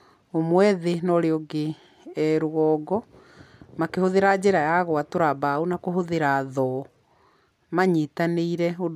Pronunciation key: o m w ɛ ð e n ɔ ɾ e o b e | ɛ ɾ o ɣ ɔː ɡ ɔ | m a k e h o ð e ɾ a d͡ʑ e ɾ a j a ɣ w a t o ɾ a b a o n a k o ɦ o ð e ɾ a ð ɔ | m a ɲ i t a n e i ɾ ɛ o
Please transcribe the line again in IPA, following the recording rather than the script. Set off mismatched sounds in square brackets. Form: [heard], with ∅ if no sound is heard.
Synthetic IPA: o m w ɛ ð e n ɔ ɾ e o [ɡ] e | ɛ ɾ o ɣ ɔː ɡ ɔ | m a k e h o ð e ɾ a d͡ʑ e ɾ a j a ɣ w a t o ɾ a b a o n a k o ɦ o ð e ɾ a ð ɔ | m a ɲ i t a n e i ɾ ɛ o